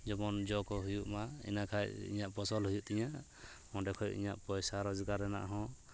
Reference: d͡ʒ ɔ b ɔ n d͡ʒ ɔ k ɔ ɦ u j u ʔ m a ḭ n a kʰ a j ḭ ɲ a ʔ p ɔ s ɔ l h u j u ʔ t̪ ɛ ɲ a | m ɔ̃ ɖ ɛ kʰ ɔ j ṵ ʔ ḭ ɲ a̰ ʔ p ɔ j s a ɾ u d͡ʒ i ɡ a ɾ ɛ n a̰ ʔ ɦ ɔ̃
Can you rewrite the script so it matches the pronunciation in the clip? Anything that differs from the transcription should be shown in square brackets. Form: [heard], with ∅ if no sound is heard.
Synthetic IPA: d͡ʒ ɔ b ɔ n d͡ʒ ɔ k ɔ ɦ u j u ʔ m a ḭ n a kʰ a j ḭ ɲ a ʔ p ɔ s ɔ l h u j u ʔ t̪ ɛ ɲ a | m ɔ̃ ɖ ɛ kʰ ɔ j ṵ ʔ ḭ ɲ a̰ ʔ p ɔ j s a ɾ [ɔ] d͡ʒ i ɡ a ɾ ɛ n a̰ ʔ ɦ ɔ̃